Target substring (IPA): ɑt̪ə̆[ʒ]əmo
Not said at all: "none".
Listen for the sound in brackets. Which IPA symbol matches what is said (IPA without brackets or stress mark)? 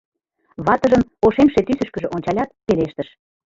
ʒ